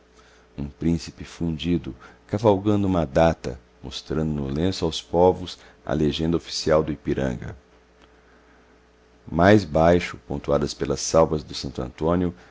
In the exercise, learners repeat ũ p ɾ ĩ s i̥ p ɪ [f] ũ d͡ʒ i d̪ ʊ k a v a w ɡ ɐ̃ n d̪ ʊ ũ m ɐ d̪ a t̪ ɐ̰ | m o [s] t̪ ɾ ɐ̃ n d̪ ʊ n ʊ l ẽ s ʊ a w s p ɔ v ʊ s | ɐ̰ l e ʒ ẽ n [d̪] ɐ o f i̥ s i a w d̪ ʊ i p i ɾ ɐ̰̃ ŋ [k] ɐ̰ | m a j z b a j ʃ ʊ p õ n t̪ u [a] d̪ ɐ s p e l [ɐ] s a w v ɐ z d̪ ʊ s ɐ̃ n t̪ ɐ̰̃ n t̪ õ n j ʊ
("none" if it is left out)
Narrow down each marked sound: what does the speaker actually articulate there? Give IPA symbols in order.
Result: f, s, d̪, ɡ, a, ɐ

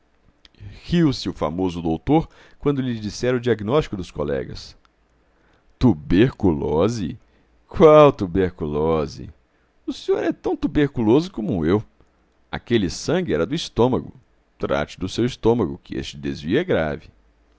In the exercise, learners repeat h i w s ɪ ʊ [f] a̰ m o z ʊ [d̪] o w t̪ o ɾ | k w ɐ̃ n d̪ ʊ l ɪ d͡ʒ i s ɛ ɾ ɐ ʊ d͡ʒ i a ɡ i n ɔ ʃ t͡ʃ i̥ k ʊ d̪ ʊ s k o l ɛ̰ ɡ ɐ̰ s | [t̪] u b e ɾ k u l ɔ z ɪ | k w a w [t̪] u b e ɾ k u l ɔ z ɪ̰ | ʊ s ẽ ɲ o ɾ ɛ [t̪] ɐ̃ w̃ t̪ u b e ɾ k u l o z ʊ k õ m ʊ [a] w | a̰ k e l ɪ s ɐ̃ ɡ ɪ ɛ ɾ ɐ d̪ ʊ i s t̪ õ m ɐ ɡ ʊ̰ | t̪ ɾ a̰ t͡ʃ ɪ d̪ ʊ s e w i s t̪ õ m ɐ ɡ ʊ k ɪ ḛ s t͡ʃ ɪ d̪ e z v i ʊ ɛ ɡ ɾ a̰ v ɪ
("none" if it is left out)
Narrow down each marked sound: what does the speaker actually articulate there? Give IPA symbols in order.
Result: f, d̪, t̪, t̪, t̪, e

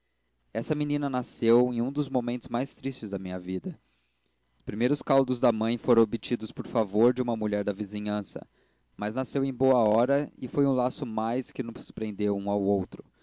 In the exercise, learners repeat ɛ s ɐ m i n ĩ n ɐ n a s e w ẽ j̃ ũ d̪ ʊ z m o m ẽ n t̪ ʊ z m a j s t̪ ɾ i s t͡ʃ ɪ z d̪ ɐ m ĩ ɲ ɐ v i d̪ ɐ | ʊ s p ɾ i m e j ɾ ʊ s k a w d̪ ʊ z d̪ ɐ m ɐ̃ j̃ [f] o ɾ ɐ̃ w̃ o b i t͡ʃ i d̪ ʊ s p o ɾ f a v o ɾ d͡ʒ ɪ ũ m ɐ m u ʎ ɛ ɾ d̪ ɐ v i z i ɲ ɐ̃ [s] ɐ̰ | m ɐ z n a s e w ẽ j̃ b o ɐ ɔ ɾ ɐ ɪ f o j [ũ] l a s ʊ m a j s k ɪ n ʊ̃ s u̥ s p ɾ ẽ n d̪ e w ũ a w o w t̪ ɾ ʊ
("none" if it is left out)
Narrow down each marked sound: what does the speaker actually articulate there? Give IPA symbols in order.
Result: f, s, ũ

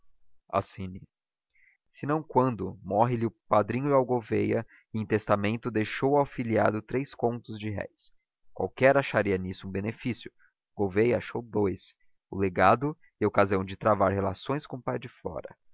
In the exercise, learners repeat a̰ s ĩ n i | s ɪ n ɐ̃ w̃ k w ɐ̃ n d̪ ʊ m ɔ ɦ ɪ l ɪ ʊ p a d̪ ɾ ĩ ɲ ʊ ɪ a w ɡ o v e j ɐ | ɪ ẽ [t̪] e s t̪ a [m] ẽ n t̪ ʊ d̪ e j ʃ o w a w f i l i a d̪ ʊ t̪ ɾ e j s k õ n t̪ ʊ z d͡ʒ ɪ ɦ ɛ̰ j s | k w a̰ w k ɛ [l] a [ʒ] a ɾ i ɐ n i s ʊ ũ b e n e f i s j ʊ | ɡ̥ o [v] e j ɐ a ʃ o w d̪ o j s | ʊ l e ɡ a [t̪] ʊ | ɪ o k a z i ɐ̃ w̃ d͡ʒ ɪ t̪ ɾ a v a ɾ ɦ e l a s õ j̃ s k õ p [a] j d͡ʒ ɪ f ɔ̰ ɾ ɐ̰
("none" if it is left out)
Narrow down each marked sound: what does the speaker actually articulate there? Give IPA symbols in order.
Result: t̪, m, ɾ, ʃ, v, d̪, a

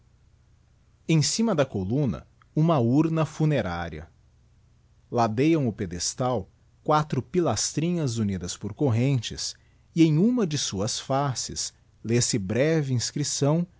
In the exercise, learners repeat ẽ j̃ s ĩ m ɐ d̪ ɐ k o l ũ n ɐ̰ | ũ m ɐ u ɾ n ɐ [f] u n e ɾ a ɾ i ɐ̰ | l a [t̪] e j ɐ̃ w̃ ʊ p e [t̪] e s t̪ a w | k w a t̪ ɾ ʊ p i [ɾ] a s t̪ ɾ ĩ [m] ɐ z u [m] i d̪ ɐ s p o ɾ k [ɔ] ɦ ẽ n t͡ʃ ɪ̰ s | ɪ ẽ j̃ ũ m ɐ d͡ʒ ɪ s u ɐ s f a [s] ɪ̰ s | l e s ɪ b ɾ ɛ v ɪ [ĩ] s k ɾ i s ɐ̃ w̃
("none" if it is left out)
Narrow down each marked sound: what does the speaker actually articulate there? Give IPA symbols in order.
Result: f, d̪, d̪, l, ɲ, n, o, s, ĩ

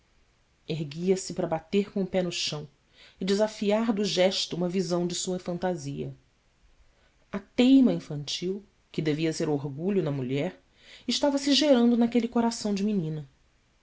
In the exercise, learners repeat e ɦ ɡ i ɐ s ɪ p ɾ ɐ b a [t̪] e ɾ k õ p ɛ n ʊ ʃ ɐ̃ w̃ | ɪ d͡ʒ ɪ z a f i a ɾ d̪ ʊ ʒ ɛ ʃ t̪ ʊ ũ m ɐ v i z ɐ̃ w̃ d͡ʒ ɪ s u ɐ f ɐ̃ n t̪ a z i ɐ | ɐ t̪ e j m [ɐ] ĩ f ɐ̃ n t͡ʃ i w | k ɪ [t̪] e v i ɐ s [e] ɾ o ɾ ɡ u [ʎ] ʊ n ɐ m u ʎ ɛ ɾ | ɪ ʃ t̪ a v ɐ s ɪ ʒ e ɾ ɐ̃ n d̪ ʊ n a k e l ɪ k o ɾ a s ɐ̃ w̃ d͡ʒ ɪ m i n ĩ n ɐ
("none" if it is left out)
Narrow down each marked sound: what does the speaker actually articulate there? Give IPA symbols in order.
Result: t̪, ɐ, d̪, e, ʎ

